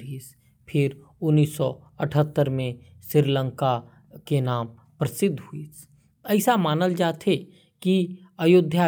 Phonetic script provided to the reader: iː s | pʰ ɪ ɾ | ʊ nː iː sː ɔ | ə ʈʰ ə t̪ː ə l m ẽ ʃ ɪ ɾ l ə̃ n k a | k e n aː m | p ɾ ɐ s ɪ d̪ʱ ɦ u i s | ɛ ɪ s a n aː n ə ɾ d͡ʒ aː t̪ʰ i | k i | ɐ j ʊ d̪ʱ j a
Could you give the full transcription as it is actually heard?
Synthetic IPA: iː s | pʰ ɪ ɾ | ʊ nː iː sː ɔ | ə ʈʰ ə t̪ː ə ɾ m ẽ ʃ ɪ ɾ l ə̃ ŋ k a | k e n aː m | p ɾ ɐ s ɪ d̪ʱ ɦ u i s | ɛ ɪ s a m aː n ə l d͡ʒ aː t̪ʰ e | k i | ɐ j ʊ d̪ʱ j a